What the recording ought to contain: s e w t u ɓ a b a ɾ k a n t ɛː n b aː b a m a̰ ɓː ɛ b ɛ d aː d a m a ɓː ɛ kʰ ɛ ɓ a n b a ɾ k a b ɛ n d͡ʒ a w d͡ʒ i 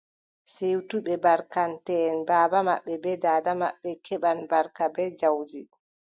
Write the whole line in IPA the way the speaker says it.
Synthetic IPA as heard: s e w t u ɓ ɛ b a ɾ k a n t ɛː n b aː b a m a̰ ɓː ɛ b ɛ d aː d a m a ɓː ɛ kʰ ɛ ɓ a n b a ɾ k a b ɛ d͡ʒ a w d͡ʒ i